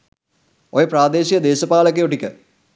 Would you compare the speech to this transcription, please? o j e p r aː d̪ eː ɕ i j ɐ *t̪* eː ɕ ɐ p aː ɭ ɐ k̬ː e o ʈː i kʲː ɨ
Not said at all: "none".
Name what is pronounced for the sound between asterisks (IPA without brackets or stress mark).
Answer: d̪